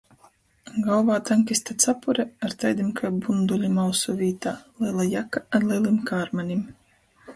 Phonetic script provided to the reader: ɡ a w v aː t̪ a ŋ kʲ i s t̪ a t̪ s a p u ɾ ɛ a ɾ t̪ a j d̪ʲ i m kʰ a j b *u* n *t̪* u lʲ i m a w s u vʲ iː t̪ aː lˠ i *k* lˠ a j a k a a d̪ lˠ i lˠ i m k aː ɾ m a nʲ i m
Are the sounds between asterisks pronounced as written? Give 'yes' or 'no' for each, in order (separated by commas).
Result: yes, no, no